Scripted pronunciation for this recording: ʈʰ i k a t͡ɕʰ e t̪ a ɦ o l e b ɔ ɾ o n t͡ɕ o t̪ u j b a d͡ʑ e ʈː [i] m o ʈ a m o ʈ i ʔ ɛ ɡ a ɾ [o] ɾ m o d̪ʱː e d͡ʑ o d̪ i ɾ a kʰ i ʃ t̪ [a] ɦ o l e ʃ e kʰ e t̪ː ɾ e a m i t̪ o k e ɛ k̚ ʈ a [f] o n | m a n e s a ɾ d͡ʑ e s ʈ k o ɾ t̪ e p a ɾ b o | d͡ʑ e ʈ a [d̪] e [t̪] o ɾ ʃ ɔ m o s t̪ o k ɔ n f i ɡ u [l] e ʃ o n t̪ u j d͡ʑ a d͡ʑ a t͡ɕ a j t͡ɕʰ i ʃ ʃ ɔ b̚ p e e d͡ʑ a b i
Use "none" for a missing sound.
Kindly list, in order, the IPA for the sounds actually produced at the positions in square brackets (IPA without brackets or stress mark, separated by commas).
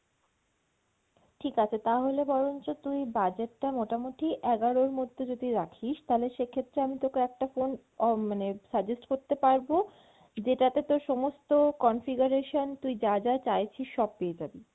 a, o, a, f, t̪, t̪, ɾ